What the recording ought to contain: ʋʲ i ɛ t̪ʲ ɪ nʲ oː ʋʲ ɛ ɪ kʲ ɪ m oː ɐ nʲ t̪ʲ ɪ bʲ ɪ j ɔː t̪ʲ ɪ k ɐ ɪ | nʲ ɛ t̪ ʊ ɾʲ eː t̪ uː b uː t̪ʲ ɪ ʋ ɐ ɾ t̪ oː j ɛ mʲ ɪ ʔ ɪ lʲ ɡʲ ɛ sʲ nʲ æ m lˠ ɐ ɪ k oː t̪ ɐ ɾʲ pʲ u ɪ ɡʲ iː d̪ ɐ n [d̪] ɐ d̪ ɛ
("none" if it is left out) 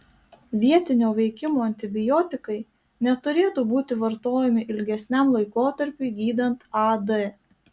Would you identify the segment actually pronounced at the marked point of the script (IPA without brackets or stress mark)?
t̪